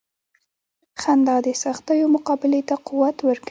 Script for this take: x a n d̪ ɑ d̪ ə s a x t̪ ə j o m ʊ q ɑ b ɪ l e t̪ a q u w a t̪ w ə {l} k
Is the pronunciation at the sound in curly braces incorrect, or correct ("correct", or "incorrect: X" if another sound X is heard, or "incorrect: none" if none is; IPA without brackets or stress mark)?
incorrect: ɾ